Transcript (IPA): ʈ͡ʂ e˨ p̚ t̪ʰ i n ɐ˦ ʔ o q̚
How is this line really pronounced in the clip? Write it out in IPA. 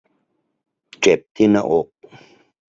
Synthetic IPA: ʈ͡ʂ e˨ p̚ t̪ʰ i n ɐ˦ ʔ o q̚